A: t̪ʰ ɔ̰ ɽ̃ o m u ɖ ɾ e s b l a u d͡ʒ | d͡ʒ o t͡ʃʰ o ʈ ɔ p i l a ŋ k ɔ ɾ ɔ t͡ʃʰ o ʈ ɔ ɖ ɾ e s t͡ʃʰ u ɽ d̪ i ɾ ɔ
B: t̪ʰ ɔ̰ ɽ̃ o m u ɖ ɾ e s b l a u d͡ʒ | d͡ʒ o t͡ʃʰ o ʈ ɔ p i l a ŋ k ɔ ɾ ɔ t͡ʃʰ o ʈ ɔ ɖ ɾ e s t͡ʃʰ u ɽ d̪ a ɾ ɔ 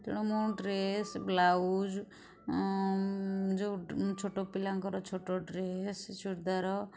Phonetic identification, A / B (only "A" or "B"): B